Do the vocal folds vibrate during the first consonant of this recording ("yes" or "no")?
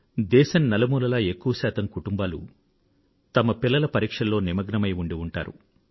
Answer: yes